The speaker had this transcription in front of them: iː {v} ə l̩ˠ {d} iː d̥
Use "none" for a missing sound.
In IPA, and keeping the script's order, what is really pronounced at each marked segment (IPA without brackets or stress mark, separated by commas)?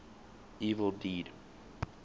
v, d